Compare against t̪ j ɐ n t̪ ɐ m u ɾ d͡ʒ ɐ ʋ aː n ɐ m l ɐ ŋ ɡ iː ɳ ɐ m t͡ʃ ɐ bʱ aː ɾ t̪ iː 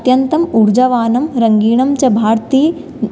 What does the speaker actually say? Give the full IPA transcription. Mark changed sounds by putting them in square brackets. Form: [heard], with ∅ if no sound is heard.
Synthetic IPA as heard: t̪ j ɐ n t̪ ɐ m u ɾ d͡ʒ ɐ ʋ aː n ɐ m [ɾ] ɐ ŋ ɡ iː ɳ ɐ m t͡ʃ ɐ bʱ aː ɾ t̪ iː